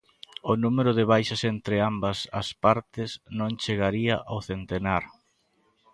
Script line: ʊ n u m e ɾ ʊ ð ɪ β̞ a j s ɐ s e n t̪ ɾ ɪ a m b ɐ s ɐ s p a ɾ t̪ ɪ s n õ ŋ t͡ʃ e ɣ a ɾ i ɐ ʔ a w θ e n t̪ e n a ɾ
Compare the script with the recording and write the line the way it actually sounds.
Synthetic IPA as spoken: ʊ n u m e ɾ ʊ ð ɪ β̞ a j ʃ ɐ s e n t̪ ɾ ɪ a m b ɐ s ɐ s p a ɾ t̪ ɪ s n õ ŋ t͡ʃ e ɣ a ɾ i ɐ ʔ a w θ e n t̪ e n a ɾ